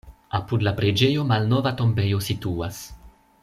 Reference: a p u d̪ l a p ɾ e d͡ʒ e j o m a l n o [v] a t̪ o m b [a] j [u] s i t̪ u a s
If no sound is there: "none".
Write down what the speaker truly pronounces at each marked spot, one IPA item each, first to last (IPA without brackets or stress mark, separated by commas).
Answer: v, e, o